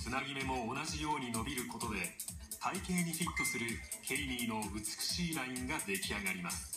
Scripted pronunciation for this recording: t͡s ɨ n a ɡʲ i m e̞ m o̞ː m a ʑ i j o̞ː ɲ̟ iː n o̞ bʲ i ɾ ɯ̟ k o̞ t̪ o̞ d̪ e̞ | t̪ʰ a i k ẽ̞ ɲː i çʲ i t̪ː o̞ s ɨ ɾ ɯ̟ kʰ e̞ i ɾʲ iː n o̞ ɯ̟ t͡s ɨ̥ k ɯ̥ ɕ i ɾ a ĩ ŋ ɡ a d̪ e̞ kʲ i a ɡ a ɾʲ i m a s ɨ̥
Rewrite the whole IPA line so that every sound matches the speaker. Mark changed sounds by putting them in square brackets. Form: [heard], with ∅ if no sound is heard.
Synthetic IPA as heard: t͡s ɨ n a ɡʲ i m e̞ m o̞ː [n] a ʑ i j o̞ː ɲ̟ [i] n o̞ bʲ i ɾ ɯ̟ k o̞ t̪ o̞ d̪ e̞ | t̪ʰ a i k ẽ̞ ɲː i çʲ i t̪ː o̞ s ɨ ɾ ɯ̟ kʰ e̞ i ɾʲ iː n o̞ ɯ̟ t͡s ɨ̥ k ɯ̥ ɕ [iː] ɾ a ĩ ŋ ɡ a d̪ e̞ kʲ i a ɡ a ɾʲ i m a s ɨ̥